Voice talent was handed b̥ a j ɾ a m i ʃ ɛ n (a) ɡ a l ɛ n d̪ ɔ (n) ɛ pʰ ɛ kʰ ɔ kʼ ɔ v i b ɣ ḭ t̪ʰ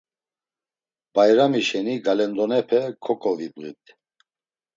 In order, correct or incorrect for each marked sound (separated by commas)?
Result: incorrect, correct